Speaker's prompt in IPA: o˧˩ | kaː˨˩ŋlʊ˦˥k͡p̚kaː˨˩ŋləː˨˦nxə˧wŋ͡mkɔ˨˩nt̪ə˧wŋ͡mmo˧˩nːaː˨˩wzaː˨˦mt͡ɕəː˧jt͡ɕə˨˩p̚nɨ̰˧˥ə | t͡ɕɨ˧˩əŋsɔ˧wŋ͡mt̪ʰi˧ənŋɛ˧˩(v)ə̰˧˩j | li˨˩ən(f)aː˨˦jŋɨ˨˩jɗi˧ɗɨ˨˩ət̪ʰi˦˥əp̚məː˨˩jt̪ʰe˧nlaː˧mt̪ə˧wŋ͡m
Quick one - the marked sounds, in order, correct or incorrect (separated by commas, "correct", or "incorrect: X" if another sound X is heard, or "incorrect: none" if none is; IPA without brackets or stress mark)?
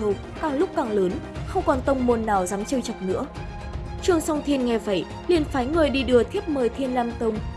correct, correct